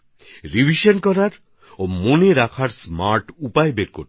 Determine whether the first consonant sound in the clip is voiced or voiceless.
voiced